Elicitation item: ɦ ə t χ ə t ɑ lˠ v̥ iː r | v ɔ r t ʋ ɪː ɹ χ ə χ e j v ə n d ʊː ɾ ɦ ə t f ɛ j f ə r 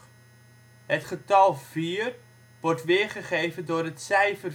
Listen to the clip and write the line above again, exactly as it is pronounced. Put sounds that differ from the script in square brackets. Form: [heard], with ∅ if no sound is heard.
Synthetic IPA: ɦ ə t χ ə t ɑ lˠ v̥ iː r | [ʋ] ɔ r t ʋ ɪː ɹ χ ə χ e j v ə n d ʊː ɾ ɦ ə t [s] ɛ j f ə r